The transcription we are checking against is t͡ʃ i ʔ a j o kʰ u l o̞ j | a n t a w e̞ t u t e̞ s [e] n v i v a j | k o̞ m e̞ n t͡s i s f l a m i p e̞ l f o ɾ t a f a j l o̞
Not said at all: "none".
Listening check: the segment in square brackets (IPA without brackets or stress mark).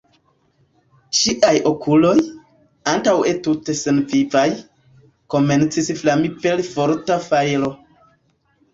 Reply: e